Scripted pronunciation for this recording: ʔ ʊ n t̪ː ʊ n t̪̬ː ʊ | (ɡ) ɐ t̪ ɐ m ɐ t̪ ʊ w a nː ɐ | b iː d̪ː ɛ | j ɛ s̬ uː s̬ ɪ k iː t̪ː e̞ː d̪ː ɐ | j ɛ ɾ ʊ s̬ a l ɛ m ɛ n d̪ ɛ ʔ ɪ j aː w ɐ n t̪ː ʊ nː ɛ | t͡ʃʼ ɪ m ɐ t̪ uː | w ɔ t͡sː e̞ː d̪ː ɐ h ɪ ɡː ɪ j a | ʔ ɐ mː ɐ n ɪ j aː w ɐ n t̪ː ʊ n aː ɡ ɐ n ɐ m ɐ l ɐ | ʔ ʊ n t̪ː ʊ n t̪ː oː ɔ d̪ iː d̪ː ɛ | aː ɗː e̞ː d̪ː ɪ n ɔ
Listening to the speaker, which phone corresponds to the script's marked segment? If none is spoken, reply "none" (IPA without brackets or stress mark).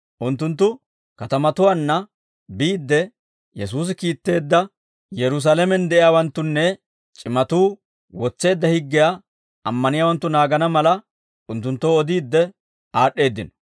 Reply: k